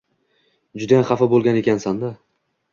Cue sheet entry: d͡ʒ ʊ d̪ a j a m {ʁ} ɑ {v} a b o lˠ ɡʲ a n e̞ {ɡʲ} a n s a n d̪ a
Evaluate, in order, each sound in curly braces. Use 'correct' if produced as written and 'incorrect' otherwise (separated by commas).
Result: incorrect, incorrect, incorrect